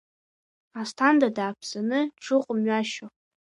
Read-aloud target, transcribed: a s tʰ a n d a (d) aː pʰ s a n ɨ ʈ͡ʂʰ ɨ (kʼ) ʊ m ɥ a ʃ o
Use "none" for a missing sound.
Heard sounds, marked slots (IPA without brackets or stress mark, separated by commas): d, qʼ